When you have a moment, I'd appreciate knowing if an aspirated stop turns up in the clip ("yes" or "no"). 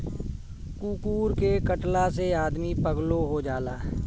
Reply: no